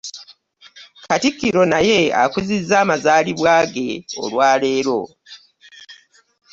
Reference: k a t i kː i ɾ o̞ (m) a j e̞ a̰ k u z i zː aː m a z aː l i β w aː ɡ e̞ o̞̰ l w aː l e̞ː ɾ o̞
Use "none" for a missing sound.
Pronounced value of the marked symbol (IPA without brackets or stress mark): n